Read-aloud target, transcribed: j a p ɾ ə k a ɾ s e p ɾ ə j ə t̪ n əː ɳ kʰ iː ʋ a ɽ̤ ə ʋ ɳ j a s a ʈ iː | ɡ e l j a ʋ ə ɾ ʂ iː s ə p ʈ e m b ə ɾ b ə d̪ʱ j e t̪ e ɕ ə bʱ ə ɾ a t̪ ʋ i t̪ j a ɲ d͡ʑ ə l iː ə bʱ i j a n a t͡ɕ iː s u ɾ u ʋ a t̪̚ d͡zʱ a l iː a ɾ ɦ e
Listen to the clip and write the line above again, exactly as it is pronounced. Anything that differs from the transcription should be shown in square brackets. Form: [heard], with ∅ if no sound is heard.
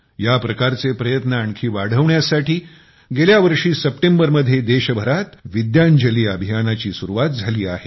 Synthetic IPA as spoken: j a p ɾ ə k a ɾ [t͡s] e p ɾ ə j ə t̪ n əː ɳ kʰ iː ʋ a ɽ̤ ə ʋ ɳ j a s a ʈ iː | ɡ e l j a ʋ ə ɾ ʂ iː s ə p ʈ e m b ə ɾ [m] ə d̪ʱ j e [d̪] e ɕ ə bʱ ə ɾ a t̪ ʋ i [d̪] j a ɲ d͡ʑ ə l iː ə bʱ i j a n a t͡ɕ iː s u ɾ u ʋ a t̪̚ d͡zʱ a l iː a [∅] ɦ e